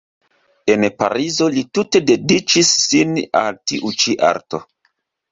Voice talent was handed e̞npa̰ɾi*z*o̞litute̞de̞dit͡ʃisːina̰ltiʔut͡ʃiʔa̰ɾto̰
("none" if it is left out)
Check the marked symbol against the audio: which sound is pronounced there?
z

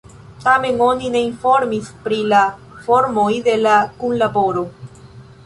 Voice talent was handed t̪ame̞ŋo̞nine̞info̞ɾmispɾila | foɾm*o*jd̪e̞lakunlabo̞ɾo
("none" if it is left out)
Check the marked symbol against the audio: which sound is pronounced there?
o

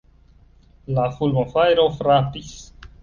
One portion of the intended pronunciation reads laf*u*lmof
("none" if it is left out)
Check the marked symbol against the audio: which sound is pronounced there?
u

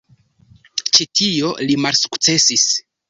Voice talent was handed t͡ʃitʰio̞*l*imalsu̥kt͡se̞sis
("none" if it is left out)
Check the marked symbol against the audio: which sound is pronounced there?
l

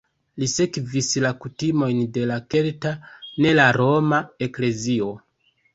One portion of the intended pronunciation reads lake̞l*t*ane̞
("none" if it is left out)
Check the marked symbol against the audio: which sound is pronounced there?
t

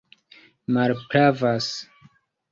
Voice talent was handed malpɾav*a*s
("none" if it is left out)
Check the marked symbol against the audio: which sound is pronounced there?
a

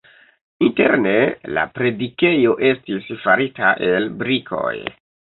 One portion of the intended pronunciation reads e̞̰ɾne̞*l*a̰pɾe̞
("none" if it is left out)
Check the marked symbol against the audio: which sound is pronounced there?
l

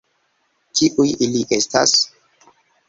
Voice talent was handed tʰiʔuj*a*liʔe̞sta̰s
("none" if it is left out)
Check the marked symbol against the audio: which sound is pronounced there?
i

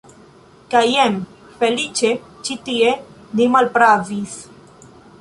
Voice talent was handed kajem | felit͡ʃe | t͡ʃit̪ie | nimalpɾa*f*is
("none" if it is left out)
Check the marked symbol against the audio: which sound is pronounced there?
v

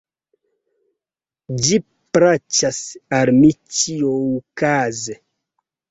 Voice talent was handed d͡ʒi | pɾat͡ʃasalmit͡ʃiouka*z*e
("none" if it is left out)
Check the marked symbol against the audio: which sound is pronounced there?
z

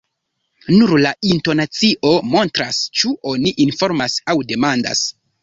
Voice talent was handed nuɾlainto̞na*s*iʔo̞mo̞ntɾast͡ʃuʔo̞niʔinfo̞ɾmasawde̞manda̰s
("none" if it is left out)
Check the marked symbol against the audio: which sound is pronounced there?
t͡s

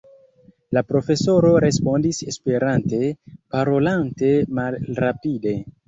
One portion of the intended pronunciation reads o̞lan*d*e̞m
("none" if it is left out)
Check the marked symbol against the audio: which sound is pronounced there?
t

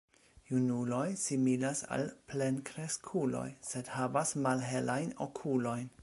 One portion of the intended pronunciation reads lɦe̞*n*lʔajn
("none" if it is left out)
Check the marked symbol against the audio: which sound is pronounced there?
none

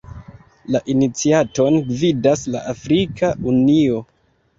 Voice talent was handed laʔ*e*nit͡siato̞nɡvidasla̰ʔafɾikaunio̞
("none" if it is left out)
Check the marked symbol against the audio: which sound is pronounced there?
i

